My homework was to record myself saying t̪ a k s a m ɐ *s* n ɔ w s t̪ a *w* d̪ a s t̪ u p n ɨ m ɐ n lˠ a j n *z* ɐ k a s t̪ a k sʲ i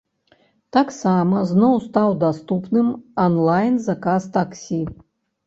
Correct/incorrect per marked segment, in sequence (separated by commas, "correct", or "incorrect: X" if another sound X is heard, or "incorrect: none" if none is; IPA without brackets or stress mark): incorrect: z, correct, correct